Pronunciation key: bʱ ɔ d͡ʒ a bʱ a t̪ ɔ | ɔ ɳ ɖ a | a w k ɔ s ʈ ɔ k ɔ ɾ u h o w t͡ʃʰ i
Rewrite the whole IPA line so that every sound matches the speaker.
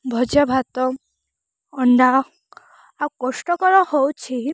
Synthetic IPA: bʱ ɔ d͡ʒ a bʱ a t̪ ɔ | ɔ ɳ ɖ a | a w k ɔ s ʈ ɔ k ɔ ɾ ɔ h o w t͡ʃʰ i